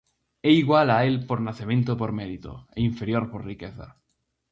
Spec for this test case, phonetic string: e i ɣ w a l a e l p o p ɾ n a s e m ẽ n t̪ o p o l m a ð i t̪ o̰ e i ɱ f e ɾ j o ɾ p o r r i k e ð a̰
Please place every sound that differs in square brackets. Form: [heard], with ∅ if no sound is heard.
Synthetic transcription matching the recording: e i ɣ w a l a e l p o [∅] ɾ n a [θ] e m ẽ n t̪ o p o [ɾ] m [e] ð i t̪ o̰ e i ɱ f e ɾ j o ɾ p o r r i k e [θ] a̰